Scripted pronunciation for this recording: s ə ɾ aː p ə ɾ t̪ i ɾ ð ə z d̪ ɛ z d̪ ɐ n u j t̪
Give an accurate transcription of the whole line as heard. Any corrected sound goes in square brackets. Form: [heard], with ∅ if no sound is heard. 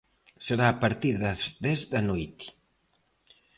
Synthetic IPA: s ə ɾ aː p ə ɾ t̪ i ɾ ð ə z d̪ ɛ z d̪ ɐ n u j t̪